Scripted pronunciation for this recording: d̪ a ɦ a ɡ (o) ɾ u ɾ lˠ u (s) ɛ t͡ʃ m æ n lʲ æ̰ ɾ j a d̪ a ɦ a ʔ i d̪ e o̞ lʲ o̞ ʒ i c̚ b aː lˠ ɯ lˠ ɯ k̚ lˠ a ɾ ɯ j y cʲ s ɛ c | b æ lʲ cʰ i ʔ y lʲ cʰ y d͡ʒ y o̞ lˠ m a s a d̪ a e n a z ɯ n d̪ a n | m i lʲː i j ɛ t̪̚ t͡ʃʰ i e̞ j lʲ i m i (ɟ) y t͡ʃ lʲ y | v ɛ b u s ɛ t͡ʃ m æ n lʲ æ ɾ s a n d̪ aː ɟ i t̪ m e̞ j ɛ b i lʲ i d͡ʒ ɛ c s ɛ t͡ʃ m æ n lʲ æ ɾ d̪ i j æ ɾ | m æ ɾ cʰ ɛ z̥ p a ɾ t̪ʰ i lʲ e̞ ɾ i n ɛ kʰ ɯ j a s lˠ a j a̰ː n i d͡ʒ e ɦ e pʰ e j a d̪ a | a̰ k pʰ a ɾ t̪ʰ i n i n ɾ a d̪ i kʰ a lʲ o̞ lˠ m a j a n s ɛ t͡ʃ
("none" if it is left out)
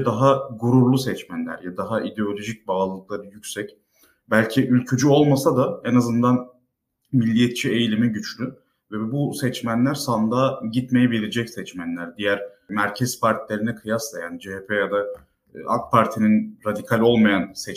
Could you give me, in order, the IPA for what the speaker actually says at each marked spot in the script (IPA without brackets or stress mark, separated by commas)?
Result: u, s, ɟ